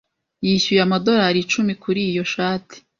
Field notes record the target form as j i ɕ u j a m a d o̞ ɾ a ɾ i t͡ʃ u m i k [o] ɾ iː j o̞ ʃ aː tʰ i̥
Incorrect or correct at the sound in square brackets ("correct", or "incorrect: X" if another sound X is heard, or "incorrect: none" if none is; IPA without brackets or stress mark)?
incorrect: u